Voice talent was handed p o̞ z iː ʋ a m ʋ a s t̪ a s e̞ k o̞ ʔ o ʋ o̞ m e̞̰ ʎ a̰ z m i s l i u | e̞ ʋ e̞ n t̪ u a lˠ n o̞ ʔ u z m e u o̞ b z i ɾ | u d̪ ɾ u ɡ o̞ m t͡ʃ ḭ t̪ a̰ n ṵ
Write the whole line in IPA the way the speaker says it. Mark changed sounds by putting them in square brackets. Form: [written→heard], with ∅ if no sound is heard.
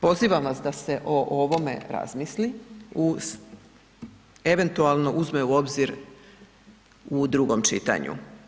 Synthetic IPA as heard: p o̞ z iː ʋ a m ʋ a s [t̪→d̪] a s e̞ [k→ʔ] o̞ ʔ o ʋ o̞ m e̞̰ [ʎ→ɾ] a̰ z m i s l i u | e̞ ʋ e̞ n t̪ u a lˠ n o̞ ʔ u z m e u o̞ b z i ɾ | u d̪ ɾ u ɡ o̞ m t͡ʃ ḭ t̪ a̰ [n→ɲ] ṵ